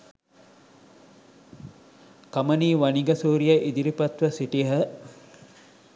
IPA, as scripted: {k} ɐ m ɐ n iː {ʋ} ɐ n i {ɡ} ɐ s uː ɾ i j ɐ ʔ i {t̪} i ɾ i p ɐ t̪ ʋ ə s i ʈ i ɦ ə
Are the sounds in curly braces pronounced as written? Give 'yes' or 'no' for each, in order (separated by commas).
yes, yes, yes, no